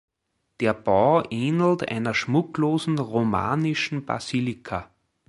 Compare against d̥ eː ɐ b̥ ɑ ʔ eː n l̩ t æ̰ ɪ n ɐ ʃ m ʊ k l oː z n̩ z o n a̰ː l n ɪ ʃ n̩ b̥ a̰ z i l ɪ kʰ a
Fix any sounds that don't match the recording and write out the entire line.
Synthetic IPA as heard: d̥ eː ɐ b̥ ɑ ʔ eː n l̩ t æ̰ ɪ n ɐ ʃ m ʊ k l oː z n̩ ʁ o m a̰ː n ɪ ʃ n̩ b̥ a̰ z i l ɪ kʰ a